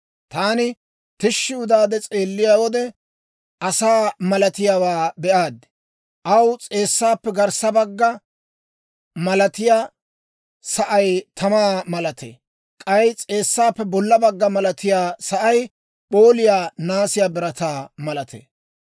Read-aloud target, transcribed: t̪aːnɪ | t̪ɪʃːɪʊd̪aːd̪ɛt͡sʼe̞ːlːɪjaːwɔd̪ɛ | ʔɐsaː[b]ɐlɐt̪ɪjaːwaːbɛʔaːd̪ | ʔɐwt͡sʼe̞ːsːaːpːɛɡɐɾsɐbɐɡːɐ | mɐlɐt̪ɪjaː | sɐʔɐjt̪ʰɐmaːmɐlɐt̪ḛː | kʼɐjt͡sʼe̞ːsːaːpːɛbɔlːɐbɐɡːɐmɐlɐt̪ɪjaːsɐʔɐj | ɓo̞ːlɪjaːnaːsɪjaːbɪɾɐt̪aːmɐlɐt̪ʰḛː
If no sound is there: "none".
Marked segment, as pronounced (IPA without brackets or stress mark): m